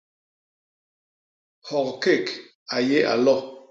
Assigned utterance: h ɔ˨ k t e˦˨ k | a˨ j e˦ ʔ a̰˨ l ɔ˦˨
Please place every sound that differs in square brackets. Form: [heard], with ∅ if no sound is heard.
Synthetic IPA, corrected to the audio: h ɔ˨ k [k] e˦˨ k | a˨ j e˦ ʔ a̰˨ l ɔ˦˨